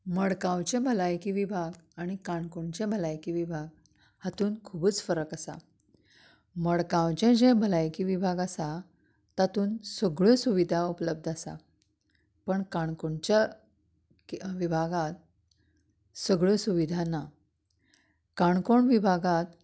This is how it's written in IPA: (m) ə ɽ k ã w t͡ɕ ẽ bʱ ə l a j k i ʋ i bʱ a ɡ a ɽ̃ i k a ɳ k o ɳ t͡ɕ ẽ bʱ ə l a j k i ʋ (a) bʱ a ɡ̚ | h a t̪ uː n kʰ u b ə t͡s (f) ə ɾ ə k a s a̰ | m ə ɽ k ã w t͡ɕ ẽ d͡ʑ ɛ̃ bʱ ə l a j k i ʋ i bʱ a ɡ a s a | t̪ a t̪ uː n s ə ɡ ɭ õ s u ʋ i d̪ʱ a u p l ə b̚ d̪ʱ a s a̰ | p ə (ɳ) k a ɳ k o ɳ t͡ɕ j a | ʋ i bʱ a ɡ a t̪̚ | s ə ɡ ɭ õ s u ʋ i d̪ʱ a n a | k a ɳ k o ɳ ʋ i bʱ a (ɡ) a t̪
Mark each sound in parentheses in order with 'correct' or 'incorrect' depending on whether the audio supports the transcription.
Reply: correct, incorrect, correct, correct, correct

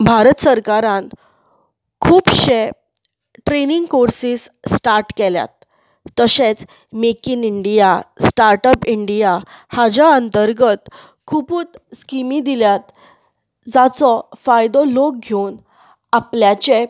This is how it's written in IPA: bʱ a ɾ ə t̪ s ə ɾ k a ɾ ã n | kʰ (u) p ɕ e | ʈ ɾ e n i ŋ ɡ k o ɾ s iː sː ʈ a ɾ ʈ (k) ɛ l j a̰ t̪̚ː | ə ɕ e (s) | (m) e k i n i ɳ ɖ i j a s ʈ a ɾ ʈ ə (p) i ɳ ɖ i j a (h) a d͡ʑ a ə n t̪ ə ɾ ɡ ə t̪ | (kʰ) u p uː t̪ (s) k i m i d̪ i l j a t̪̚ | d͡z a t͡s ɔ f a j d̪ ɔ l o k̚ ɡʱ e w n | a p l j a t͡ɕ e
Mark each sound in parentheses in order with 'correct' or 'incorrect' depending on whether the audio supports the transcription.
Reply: incorrect, correct, incorrect, correct, correct, correct, correct, correct

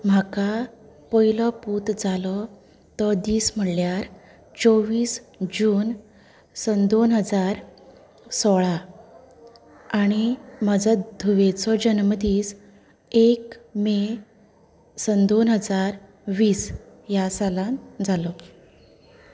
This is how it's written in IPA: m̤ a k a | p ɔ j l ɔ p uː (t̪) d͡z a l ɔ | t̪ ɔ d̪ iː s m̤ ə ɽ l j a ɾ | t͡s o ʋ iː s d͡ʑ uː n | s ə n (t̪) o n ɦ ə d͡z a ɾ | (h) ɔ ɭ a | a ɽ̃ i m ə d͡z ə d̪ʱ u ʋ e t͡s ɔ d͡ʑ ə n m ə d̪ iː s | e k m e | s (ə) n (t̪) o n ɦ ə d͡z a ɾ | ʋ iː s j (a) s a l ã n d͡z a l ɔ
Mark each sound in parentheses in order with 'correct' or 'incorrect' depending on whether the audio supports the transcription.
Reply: correct, incorrect, incorrect, correct, incorrect, correct

